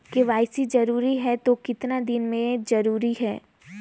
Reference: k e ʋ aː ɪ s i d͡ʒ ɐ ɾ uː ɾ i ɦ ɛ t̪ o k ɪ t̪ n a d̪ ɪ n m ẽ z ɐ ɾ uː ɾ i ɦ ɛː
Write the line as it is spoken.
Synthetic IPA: k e ʋ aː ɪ s i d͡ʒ ɐ ɾ uː ɾ i ɦ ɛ t̪ o k ɪ t̪ n a d̪ ɪ n m ẽ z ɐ ɾ uː ɾ i ɦ ɛː